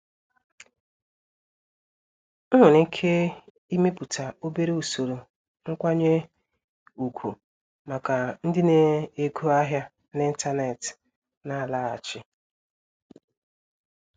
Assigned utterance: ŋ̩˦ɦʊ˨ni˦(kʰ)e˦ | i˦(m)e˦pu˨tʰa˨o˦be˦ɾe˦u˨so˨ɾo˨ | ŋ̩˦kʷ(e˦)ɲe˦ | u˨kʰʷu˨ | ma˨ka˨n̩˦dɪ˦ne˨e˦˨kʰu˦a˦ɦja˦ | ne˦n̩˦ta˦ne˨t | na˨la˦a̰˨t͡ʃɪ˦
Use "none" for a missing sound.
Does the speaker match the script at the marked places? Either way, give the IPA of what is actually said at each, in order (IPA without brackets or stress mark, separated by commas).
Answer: kʰ, m, a˦